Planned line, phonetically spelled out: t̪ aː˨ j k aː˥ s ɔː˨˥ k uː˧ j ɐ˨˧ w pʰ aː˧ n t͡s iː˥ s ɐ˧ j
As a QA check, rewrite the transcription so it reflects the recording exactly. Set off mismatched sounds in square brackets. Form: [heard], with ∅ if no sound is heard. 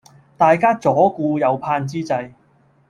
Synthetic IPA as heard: t̪ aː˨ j k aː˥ [t͡s] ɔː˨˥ k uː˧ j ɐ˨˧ w pʰ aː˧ n t͡s iː˥ [t͡s] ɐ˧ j